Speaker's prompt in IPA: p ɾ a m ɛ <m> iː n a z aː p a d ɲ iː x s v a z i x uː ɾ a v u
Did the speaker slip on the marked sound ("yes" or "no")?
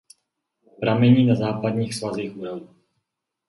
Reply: yes